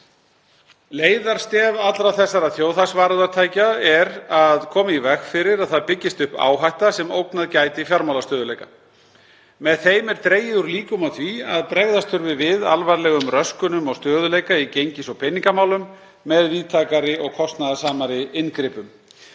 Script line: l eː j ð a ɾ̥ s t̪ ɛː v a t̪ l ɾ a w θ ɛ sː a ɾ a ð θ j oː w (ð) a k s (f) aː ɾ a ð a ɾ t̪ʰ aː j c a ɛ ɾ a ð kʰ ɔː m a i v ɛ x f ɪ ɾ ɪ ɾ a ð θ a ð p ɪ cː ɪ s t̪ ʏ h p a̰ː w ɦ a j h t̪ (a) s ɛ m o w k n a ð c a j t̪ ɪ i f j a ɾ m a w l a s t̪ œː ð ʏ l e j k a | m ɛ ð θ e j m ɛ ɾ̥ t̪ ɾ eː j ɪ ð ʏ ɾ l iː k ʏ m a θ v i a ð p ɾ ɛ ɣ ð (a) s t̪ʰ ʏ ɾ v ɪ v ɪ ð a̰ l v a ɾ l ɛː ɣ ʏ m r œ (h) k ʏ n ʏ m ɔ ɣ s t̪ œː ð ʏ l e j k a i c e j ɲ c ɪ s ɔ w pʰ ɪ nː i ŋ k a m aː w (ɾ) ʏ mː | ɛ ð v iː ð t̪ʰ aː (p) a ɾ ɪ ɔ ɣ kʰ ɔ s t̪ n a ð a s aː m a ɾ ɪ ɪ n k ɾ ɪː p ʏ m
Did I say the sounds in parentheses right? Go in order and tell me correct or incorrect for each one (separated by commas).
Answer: incorrect, incorrect, correct, correct, incorrect, incorrect, incorrect